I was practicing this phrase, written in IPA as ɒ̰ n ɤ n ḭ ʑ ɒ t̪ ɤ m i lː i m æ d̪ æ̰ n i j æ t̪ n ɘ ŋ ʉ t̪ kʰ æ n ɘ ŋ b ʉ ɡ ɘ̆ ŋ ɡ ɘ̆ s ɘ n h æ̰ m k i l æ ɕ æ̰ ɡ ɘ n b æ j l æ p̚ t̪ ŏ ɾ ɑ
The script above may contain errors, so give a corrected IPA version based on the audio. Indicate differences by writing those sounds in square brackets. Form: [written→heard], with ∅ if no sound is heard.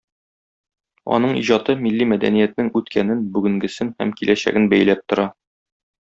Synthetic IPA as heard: ɒ̰ n ɤ [n→ɴ] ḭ ʑ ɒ t̪ ɤ m i lː i m æ d̪ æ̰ n i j æ t̪ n ɘ ŋ ʉ t̪ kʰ æ n ɘ [ŋ→n] b ʉ ɡ ɘ̆ ŋ ɡ ɘ̆ s ɘ n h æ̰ m k i l æ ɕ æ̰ ɡ ɘ n b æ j l æ p̚ t̪ ŏ ɾ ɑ